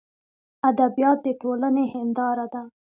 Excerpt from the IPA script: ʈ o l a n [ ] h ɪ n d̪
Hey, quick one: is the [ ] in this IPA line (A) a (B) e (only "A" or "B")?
B